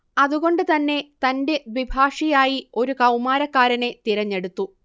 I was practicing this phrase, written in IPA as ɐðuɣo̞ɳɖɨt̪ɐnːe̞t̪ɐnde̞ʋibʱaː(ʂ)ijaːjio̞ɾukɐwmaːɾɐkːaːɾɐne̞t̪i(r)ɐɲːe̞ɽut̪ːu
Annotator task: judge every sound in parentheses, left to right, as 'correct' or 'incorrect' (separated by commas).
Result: correct, incorrect